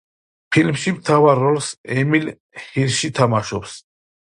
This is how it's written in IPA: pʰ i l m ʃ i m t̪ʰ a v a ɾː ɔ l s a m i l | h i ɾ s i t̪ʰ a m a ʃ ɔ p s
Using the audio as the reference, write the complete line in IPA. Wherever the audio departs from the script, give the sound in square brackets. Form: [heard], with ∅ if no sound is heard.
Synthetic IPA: pʰ i l m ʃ i m t̪ʰ a v a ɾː ɔ l s [ɛ] m i l | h i ɾ [ʃ] i t̪ʰ a m a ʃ ɔ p s

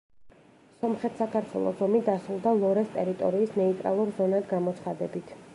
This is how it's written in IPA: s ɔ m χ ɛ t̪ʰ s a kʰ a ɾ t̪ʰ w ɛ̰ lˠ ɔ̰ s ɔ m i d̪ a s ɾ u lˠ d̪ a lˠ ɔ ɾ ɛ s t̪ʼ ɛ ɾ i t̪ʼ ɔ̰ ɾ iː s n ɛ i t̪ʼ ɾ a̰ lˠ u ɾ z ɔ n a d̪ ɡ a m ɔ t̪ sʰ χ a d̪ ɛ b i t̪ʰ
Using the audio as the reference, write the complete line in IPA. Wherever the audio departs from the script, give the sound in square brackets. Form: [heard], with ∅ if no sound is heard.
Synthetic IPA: s ɔ m χ ɛ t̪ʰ s a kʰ a ɾ t̪ʰ w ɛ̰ lˠ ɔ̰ [z] ɔ m i d̪ a s ɾ u lˠ d̪ a lˠ ɔ ɾ ɛ s t̪ʼ ɛ ɾ i t̪ʼ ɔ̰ ɾ iː s n ɛ i t̪ʼ ɾ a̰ lˠ u ɾ z ɔ n a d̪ ɡ a m ɔ t̪ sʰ χ a d̪ ɛ b i t̪ʰ

